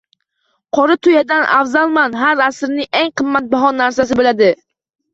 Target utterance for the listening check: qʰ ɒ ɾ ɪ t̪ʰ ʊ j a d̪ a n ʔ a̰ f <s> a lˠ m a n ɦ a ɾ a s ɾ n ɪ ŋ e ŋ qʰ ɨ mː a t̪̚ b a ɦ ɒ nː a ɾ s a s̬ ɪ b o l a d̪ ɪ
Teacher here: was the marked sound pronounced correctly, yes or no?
no